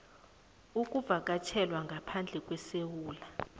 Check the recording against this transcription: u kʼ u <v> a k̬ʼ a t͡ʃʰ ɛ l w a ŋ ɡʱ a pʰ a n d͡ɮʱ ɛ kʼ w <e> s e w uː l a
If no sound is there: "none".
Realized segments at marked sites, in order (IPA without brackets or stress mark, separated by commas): v, ɛ